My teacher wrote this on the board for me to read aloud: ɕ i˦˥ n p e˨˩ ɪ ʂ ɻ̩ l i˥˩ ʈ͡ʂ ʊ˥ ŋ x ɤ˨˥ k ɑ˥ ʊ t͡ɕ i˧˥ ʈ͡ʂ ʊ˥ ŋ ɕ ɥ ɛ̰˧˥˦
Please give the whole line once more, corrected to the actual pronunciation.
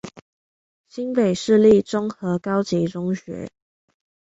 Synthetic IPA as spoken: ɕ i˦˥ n p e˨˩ ɪ ʂ ɻ̩ l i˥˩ ʈ͡ʂ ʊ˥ ŋ x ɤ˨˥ k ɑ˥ ʊ t͡ɕ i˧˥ ʈ͡ʂ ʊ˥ ŋ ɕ ɥ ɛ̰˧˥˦